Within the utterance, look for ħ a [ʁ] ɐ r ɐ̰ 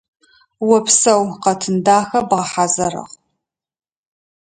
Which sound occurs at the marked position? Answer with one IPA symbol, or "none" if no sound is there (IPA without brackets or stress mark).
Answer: z